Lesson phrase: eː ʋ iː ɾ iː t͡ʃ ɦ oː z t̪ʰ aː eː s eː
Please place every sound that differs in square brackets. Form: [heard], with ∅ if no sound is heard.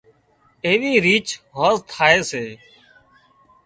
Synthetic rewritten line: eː ʋ iː ɾ iː t͡ʃ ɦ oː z t̪ʰ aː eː s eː